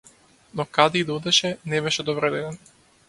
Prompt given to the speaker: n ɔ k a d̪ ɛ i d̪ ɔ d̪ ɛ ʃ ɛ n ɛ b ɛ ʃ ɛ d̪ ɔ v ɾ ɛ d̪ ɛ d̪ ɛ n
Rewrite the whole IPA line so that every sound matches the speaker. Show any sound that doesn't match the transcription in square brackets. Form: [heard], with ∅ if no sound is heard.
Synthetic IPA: n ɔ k a d̪ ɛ i d̪ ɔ d̪ ɛ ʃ ɛ n ɛ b ɛ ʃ ɛ d̪ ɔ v ɾ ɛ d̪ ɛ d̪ ɛ n